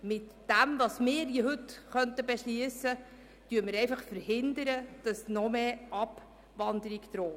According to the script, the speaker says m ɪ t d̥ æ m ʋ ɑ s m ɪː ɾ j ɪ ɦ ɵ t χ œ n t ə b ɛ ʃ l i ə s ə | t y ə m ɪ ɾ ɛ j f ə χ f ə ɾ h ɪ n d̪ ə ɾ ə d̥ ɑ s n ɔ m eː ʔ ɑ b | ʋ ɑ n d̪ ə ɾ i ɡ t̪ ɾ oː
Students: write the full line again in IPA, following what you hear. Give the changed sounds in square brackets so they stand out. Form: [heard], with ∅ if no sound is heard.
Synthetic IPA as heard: m ɪ t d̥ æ m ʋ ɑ s m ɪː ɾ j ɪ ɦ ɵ t χ œ n t ə b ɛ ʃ l i ə s ə | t y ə m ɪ ɾ ɛ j f [ɑ] χ f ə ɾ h ɪ n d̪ ə ɾ ə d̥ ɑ s n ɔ m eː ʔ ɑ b | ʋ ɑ n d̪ ə ɾ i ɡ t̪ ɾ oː